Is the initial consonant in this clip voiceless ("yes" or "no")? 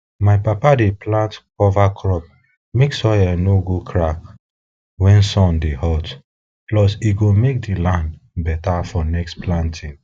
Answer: no